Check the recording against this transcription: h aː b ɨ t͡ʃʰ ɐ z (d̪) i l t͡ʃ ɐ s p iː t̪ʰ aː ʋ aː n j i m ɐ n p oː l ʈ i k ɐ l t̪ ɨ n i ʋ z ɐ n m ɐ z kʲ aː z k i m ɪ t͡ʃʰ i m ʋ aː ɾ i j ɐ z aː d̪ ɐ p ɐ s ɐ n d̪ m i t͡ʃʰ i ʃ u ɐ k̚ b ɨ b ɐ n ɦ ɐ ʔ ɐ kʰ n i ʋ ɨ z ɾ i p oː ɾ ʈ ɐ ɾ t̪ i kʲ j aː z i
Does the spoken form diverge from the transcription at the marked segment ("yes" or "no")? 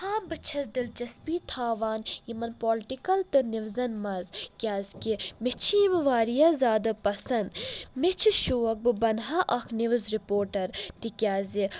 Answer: no